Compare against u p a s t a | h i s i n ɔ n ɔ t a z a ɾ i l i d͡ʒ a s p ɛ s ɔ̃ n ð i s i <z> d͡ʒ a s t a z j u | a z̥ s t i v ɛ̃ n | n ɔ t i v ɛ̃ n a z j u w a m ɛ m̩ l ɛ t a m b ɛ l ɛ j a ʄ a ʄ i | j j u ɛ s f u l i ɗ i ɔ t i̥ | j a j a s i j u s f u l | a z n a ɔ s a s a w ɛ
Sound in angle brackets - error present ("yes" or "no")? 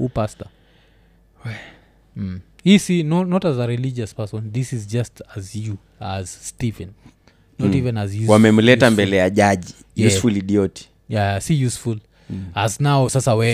no